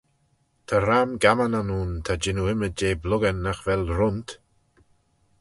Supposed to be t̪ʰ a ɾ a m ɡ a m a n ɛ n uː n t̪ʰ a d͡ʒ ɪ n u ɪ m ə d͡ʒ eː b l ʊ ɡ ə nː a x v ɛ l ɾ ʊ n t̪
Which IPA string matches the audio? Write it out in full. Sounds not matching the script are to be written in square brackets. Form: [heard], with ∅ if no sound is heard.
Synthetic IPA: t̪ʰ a ɾ a m ɡ a m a n [a] n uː n t̪ʰ a d͡ʒ ɪ n u ɪ m ə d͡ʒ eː b l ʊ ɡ ə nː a x v ɛ l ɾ ʊ n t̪